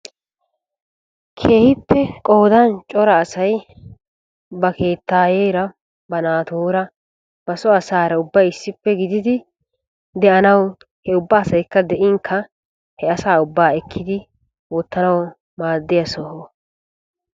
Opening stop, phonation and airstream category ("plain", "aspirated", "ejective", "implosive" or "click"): aspirated